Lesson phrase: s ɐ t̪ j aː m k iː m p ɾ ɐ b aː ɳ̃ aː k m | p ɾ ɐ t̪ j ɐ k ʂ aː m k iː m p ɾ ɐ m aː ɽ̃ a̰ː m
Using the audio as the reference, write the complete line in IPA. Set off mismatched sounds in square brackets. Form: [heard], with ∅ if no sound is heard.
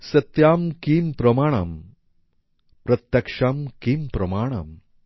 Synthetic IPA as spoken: s ɐ t̪ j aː m k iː m p ɾ ɐ [m] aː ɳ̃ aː [∅] m | p ɾ ɐ t̪ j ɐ k ʂ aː m k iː m p ɾ ɐ m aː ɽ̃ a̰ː m